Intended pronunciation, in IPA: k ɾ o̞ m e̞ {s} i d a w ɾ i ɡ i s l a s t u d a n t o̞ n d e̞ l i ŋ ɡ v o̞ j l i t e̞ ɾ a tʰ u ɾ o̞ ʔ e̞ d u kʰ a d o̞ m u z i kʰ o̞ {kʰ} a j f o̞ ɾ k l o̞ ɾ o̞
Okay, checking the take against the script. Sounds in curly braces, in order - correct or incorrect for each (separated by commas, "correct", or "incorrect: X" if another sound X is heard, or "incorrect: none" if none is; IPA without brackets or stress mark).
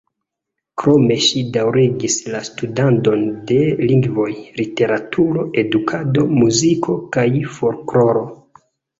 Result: incorrect: ʃ, incorrect: k